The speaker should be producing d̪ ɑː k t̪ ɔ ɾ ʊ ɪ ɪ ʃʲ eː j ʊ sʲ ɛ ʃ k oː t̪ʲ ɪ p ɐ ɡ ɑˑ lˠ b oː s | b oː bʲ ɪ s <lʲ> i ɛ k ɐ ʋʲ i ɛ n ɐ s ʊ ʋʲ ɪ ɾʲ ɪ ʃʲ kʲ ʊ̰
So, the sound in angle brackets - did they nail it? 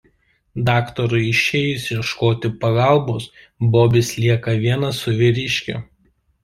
yes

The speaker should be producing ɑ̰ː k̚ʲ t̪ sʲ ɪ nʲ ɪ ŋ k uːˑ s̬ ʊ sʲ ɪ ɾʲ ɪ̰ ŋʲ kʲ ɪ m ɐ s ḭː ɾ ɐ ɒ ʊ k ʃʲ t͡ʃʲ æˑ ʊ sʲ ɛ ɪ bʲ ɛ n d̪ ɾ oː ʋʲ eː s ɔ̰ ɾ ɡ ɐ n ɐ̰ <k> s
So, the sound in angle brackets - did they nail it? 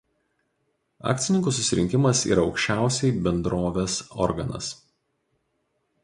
no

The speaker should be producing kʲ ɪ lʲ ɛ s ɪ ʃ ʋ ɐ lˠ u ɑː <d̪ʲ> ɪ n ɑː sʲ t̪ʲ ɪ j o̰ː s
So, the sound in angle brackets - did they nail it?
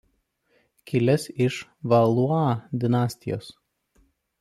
yes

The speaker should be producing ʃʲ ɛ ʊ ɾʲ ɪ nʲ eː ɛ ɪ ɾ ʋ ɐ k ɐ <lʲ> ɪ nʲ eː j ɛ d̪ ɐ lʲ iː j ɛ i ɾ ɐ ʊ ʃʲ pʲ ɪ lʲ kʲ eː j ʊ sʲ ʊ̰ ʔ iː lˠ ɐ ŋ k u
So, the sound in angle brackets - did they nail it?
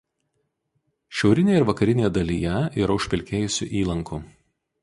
no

